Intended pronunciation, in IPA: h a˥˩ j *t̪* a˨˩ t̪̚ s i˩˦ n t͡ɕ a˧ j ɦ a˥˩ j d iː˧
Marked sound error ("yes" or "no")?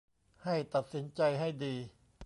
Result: no